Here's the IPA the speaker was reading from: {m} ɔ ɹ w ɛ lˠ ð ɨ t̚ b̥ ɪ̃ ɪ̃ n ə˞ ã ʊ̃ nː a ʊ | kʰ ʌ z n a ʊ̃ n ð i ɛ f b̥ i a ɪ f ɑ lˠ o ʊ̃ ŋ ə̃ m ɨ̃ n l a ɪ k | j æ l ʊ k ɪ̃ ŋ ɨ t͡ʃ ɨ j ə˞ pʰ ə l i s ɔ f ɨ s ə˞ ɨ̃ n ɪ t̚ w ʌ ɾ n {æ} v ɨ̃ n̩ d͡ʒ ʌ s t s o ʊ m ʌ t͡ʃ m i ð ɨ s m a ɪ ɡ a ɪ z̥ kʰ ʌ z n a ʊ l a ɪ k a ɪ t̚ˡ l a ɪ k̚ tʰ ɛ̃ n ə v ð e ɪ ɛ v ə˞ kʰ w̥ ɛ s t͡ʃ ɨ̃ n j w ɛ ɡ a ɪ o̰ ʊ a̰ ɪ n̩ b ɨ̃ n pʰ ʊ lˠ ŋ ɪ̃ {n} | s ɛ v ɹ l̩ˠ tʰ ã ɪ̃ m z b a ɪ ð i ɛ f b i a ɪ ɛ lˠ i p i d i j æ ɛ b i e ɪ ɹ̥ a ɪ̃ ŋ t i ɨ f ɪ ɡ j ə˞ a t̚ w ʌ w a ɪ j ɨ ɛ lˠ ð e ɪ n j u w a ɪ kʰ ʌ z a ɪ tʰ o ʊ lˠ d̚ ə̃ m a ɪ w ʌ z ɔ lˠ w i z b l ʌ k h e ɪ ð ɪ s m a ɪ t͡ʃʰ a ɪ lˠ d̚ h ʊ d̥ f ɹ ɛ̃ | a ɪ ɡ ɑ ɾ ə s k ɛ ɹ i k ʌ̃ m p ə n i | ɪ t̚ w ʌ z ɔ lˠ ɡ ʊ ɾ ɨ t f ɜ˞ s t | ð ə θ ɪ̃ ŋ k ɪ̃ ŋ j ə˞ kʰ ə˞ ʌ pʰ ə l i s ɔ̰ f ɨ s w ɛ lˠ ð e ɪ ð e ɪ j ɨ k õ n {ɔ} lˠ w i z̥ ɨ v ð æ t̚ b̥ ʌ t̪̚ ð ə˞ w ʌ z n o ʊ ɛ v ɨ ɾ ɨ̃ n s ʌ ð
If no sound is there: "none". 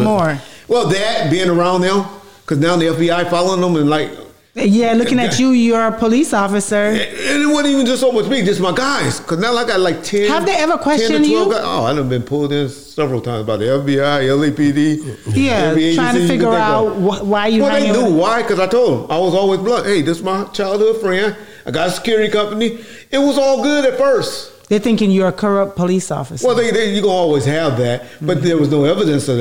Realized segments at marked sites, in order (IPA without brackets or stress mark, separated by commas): m, i, n, ɔ